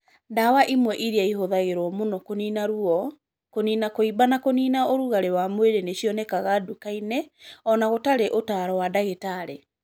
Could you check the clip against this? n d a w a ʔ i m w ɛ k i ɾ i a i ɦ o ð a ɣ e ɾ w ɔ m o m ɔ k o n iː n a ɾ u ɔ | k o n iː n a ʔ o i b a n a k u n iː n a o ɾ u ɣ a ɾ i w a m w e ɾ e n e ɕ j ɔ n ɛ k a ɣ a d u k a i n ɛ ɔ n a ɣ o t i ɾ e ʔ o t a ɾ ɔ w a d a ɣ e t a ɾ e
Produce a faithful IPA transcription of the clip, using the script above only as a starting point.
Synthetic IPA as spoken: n d a w a ʔ i m w ɛ ʔ i ɾ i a i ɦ o ð a ɣ e ɾ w ɔ m o n ɔ k o n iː n a ɾ u ɔ | k o n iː n a k o i b a n a k o n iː n a o ɾ u ɣ a ɾ e w a m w e ɾ e n e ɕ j ɔ n ɛ k a ɣ a d u k a i n ɛ ɔ n a ɣ o t a ɾ e ʔ o t a ɾ ɔ w a d a ɣ e t a ɾ e

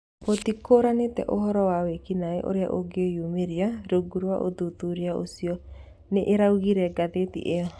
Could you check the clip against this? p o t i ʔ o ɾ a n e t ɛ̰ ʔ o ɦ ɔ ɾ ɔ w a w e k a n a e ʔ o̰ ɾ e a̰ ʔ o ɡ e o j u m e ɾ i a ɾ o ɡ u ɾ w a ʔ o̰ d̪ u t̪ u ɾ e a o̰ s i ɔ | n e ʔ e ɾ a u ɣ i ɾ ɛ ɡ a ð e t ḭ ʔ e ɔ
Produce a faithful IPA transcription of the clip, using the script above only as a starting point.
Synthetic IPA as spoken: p o t i k o ɾ a n e t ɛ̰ ʔ o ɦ ɔ ɾ ɔ w a w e k i n a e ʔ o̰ ɾ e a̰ ʔ o ɡ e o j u m e ɾ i a ɾ o ɡ u ɾ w a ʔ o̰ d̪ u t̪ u ɾ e a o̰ s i ɔ | n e ʔ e ɾ a u ɣ i ɾ ɛ ɡ a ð e t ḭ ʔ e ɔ

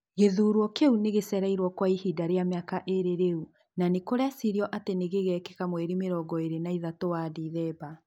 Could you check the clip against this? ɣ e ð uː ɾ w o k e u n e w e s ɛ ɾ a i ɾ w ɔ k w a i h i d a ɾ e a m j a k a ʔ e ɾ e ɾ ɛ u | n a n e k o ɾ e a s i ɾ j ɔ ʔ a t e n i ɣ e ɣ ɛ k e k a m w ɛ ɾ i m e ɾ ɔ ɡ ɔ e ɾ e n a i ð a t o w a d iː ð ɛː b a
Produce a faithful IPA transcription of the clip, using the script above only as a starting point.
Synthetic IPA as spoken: ɣ e ð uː ɾ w ɔ k e u n e ɣ e s ɛ ɾ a i ɾ w ɔ k w a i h i d a ɾ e a m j a k a ʔ e ɾ e ɾ e u | n a n e k o ɾ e a s i ɾ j ɔ ʔ a t e n e ɣ e ɣ ɛ k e k a m w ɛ ɾ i m e ɾ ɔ ɡ ɔ e ɾ e n a i ð a t o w a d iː ð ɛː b a

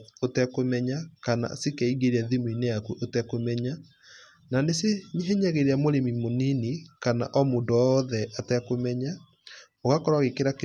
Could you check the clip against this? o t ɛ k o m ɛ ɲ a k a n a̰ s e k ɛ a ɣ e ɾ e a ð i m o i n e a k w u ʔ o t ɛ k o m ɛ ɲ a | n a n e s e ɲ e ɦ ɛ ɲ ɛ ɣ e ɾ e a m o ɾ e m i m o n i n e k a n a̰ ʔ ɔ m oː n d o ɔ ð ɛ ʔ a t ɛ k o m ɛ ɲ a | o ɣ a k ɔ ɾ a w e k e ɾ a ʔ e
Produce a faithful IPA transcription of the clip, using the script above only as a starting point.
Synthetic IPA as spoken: o t ɛ k o m ɛ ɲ a k a n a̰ s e k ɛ i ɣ e ɾ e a ð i m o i n e a k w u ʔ o t ɛ k o m ɛ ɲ a | n a n e s e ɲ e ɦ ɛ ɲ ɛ ɣ e ɾ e a m o ɾ e m i m o n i n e k a n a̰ ʔ ɔ m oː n d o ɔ ð ɛ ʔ a t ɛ k o m ɛ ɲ a | o ɣ a k ɔ ɾ a ɣ e k e ɾ a k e

